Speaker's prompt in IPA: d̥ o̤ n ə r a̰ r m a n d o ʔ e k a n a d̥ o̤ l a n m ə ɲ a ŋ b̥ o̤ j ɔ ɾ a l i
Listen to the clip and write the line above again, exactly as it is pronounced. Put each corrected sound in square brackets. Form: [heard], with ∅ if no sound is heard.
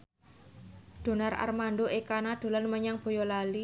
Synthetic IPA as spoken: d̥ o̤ n [a] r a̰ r m a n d o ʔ e k a n a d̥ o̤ l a n m ə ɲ a ŋ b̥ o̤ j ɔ [l] a l i